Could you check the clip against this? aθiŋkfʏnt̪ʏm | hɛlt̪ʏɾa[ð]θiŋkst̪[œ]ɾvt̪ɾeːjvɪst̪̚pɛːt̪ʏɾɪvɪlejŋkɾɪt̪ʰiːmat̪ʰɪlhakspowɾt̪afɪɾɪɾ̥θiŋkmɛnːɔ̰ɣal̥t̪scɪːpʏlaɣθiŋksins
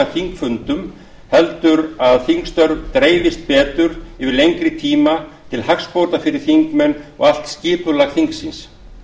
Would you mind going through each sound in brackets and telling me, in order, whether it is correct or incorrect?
correct, correct

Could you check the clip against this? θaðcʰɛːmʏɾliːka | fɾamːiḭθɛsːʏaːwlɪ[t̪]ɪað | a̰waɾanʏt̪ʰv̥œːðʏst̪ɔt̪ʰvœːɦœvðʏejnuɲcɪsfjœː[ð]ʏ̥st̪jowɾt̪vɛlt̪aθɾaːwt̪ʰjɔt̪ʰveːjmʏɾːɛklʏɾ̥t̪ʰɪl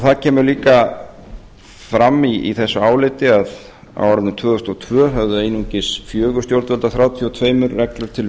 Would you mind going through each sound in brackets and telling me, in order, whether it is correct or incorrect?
correct, incorrect: ɣ

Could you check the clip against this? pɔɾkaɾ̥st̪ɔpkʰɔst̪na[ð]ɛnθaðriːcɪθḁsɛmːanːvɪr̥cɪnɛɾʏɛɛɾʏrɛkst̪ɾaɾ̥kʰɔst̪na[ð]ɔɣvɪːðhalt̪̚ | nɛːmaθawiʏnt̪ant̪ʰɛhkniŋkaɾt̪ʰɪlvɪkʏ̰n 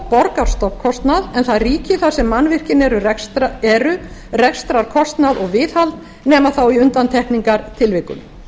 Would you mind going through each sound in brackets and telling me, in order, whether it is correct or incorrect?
correct, correct

